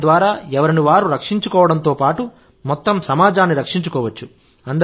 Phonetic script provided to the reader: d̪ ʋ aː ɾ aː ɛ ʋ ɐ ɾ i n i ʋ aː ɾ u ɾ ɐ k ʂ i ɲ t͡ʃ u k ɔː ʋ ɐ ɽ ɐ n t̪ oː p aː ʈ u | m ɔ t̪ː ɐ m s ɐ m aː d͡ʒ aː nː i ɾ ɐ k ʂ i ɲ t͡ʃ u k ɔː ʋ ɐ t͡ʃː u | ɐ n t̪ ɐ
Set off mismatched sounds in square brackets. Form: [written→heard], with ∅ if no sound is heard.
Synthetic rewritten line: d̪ ʋ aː ɾ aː ɛ ʋ ɐ ɾ i n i ʋ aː ɾ u ɾ ɐ k ʂ i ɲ t͡ʃ u k ɔː ʋ ɐ ɽ ɐ n t̪ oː p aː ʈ u | m ɔ t̪ː ɐ m s ɐ m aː d͡ʒ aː nː i ɾ ɐ k ʂ i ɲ t͡ʃ u k ɔː ʋ ɐ t͡ʃː u | ɐ n [t̪→d̪] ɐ